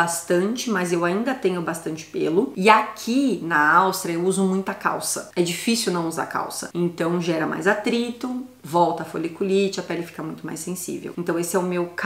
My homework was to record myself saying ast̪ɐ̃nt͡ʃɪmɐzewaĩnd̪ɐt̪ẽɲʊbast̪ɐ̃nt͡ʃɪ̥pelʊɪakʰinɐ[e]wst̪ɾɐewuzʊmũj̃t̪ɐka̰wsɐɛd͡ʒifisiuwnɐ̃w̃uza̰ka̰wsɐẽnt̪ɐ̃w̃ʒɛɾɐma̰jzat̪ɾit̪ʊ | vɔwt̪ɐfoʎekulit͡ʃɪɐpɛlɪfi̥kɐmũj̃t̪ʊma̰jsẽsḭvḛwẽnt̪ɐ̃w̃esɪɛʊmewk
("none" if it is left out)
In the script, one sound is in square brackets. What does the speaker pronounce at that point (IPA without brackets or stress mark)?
a